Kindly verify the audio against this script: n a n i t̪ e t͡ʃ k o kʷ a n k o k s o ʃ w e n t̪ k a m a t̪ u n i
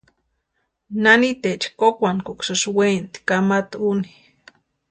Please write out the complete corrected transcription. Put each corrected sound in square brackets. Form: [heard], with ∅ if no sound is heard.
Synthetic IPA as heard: n a n i t̪ e t͡ʃ k o kʷ a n k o k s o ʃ w e n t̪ k a m a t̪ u n i